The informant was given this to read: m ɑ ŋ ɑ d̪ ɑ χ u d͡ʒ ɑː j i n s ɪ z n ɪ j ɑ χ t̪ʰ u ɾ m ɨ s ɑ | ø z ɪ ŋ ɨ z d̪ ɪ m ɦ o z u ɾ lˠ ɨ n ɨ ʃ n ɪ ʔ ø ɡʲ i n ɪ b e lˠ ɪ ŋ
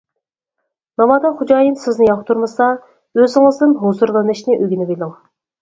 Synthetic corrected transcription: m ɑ m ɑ d̪ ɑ χ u d͡ʒ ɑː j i n s ɪ z n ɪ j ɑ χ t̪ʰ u ɾ m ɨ s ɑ | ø z ɪ ŋ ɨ z d̪ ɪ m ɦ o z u ɾ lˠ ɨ n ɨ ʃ n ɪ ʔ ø ɡʲ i n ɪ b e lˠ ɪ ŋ

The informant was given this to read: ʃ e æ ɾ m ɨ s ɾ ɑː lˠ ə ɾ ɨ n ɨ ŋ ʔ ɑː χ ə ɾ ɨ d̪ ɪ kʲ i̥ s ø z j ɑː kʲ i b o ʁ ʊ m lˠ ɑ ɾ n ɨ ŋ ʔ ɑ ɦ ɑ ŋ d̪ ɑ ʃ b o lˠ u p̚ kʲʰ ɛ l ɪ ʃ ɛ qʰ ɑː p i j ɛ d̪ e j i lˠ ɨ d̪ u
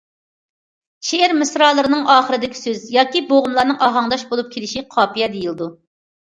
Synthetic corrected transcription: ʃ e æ ɾ m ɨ s ɾ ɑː lˠ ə ɾ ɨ n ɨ ŋ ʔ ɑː χ ə ɾ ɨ d̪ ɪ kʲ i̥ s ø z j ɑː kʲ i b o ʁ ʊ m lˠ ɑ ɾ n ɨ ŋ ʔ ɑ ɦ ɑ ŋ d̪ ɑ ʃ b o lˠ u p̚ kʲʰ e l ɪ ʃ i qʰ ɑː p i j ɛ d̪ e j i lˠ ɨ d̪ u

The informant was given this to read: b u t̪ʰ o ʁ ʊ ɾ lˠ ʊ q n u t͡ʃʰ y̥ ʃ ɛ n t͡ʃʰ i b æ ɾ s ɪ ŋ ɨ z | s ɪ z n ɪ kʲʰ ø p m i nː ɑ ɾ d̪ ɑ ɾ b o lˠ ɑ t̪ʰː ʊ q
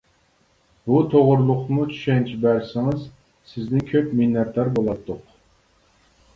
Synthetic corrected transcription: b u t̪ʰ o ʁ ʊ ɾ lˠ ʊ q n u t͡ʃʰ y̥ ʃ ɛ n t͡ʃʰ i b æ ɾ s ɪ ŋ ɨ z | s ɪ z n ɪ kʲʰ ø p m i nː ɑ ɾ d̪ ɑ ɾ b o lˠ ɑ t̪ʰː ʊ q

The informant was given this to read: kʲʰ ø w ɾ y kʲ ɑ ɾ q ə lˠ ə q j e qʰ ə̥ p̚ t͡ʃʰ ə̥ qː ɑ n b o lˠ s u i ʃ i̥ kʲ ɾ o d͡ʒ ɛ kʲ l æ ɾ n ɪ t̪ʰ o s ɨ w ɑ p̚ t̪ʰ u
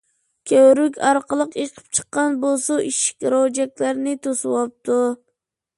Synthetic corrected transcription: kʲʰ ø w ɾ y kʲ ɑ ɾ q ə lˠ ə q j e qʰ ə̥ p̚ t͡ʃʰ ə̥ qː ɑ n b o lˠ s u i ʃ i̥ kʲ ɾ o d͡ʒ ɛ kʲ l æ ɾ n ɪ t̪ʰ o s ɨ w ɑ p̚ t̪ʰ u

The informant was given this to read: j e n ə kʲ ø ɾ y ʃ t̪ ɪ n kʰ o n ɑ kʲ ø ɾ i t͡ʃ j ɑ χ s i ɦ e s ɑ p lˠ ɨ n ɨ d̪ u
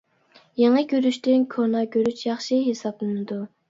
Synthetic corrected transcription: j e ŋ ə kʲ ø ɾ y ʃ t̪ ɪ n kʰ o n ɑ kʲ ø ɾ y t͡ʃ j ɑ χ ʃ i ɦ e s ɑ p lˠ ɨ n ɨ d̪ u

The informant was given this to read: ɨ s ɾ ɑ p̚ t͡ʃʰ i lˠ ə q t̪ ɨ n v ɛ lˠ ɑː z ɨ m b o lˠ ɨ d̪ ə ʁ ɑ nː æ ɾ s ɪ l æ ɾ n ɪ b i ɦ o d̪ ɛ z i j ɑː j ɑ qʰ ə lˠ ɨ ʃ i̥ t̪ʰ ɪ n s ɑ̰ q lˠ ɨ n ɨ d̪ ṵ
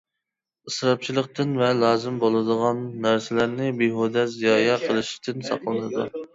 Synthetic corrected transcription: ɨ s ɾ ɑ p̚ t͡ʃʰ i lˠ ə q t̪ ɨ n v ɛ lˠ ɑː z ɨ m b o lˠ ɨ d̪ ə ʁ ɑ nː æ ɾ s ɪ l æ ɾ n ɪ b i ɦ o d̪ ɛ z i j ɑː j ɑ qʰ ə lˠ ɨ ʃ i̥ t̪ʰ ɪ n s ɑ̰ q lˠ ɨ n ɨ d̪ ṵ

